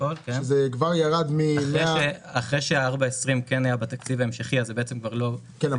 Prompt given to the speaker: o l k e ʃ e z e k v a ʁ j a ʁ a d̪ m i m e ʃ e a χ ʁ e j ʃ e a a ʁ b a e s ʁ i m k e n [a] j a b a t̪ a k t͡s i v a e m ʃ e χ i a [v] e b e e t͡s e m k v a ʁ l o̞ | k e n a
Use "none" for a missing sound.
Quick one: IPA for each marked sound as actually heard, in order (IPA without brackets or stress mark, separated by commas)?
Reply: a, z